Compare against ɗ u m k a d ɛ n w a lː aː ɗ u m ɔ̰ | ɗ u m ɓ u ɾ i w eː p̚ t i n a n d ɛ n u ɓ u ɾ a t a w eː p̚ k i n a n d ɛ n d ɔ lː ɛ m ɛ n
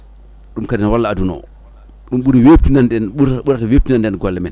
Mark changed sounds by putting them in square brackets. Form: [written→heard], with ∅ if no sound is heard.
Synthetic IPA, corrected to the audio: ɗ u m k a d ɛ n w a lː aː [ɗ→d] u [m→n] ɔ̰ | ɗ u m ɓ u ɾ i w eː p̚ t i n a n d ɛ n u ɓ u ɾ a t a w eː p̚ [k→t] i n a n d ɛ n [d→ɡ] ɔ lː ɛ m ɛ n